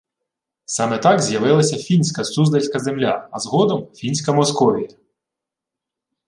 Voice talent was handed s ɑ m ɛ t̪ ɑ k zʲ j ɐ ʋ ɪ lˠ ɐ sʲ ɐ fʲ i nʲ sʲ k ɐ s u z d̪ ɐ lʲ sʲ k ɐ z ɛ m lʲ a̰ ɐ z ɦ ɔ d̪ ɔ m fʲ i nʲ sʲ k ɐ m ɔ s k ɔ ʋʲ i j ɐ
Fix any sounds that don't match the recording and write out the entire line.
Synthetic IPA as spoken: s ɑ m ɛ t̪ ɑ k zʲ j ɐ ʋ ɪ lˠ ɐ sʲ ɐ fʲ i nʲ sʲ k ɐ s u z d̪ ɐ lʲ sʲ k ɐ z e m lʲ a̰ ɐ z ɦ ɔ d̪ ɔ m fʲ i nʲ sʲ k ɐ m ɔ s k ɔ ʋʲ i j ɐ